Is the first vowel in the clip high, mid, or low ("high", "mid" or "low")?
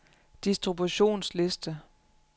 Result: high